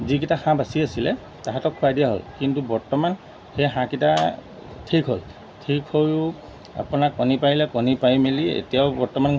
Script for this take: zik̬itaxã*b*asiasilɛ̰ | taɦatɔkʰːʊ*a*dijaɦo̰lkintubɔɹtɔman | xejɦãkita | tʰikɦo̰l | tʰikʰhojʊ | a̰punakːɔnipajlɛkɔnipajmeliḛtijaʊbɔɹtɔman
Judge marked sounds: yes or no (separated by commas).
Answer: yes, yes